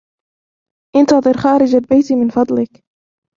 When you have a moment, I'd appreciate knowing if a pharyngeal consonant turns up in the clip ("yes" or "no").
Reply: no